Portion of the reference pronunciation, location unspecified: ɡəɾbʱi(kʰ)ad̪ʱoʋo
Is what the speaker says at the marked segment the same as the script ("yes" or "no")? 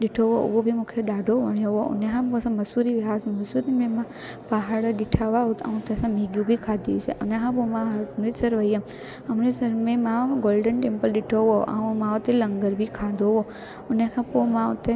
yes